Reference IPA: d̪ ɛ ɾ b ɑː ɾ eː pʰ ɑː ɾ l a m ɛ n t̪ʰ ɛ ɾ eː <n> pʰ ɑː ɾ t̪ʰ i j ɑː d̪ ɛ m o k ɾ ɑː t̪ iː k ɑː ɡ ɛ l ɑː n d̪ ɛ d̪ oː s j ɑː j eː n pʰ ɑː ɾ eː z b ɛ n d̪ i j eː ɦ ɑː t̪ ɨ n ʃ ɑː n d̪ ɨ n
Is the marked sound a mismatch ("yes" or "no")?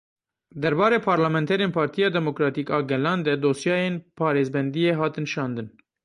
no